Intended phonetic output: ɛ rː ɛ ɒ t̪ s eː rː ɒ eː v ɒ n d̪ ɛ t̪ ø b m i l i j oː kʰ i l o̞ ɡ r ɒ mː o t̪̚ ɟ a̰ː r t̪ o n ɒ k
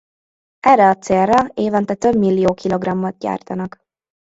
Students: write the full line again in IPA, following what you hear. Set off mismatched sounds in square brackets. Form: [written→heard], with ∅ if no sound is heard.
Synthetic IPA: ɛ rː ɛ ɒ t̪ s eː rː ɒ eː v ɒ n [d̪→t̪] ɛ t̪ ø b m i [l→lː] i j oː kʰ i l o̞ ɡ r ɒ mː o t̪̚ ɟ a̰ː r t̪ [o→ɒ] n ɒ k